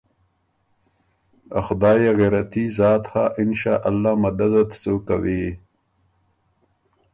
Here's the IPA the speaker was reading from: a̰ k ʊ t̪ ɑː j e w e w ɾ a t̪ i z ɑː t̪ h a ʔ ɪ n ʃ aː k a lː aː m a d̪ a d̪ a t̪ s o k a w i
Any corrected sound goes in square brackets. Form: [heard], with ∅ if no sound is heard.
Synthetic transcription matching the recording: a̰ [x] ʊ [d̪] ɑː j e [ɣ] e [∅] ɾ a t̪ i z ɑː t̪ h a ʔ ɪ n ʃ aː [ʔ] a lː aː m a d̪ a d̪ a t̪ s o k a w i